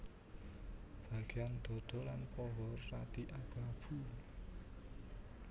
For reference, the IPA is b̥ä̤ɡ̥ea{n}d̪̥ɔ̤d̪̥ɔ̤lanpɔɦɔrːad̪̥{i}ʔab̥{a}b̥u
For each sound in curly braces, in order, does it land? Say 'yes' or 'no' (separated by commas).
yes, yes, yes